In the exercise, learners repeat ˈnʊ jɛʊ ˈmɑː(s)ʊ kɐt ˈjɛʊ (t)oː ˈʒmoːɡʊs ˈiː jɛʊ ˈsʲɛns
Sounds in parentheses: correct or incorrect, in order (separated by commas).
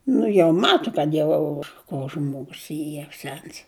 incorrect, incorrect